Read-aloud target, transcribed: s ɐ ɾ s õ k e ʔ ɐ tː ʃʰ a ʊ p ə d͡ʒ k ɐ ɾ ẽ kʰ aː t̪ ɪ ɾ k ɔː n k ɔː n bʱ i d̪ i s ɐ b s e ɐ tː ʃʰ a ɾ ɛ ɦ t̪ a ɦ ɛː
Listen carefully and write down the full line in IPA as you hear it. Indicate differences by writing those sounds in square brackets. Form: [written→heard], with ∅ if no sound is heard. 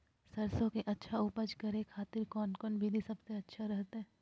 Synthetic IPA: s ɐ ɾ s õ k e ʔ ɐ tː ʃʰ a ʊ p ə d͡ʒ k ɐ ɾ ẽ kʰ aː t̪ ɪ ɾ k ɔː n k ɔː n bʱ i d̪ i s ɐ b s e ɐ tː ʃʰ a ɾ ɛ ɦ t̪ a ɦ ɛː